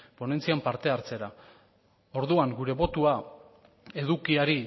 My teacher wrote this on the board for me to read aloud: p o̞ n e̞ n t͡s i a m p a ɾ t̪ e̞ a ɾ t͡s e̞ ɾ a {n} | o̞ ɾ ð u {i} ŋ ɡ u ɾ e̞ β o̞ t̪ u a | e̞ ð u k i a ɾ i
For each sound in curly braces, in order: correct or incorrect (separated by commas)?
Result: incorrect, incorrect